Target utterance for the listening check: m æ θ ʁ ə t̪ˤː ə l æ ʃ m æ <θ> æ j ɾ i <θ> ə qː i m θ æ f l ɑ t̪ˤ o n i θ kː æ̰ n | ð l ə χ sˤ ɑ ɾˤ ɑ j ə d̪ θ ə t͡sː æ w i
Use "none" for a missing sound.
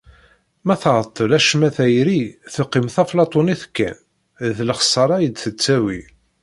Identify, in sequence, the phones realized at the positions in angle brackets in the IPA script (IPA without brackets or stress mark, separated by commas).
θ, θ